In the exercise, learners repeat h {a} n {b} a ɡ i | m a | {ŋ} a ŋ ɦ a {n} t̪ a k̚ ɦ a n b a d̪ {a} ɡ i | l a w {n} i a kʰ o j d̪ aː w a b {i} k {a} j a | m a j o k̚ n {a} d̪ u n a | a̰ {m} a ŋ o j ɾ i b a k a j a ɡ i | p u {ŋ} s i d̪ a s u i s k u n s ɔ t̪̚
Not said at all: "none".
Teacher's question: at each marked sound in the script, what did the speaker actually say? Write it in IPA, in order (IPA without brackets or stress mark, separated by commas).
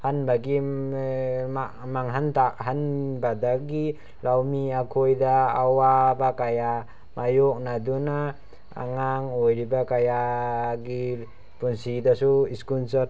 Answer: a, b, m, n, a, m, a, a, a, ŋ, n